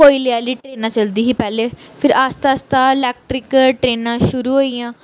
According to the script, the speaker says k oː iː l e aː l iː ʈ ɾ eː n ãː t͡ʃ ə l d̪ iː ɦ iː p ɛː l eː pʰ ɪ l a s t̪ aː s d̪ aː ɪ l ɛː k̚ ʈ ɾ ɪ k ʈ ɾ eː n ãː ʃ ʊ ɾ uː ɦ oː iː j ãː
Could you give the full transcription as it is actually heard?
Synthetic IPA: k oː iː l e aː l iː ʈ ɾ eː n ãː t͡ʃ ə l d̪ iː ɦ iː p ɛː l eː pʰ ɪ ɾ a s t̪ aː s t̪ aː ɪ l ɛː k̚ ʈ ɾ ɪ k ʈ ɾ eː n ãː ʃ ʊ ɾ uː ɦ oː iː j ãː